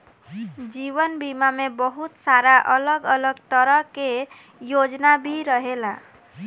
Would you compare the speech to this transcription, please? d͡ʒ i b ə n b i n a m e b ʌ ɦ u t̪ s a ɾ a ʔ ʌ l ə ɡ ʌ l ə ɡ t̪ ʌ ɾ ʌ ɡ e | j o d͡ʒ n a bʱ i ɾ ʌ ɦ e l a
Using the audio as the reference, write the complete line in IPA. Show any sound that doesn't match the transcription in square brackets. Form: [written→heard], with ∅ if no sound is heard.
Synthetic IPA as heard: d͡ʒ i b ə n b i [n→m] a m e b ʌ ɦ u t̪ s a ɾ a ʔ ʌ l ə ɡ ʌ l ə ɡ t̪ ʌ ɾ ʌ [ɡ→k] e | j o d͡ʒ n a bʱ i ɾ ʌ ɦ e l a